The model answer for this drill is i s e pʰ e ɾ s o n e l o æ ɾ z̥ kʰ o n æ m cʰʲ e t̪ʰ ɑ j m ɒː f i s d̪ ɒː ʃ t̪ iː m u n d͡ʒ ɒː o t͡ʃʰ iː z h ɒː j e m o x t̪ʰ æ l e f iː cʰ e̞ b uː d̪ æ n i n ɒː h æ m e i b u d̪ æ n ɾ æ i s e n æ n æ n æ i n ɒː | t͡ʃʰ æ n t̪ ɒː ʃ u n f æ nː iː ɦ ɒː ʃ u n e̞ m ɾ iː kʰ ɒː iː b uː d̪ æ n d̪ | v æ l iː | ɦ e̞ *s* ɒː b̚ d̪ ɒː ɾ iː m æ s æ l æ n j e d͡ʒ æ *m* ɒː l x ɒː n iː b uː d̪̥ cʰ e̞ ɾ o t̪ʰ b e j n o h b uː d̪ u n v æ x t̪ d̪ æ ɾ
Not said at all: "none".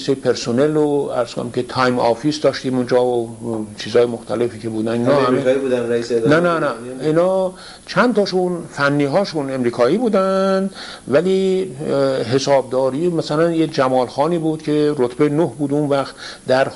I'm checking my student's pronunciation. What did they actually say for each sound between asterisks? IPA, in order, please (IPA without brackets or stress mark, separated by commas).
s, m